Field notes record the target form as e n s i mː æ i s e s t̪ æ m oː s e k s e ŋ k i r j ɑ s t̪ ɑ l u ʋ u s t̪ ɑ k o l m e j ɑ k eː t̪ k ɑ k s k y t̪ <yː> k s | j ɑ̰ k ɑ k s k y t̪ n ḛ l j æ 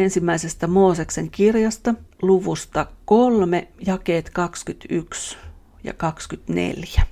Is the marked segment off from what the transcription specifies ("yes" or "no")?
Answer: yes